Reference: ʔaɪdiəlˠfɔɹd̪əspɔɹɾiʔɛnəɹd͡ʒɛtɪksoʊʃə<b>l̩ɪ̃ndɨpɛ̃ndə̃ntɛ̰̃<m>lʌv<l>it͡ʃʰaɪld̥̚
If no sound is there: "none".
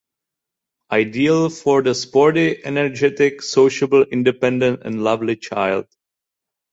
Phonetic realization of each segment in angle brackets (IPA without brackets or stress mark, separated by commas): b, n, l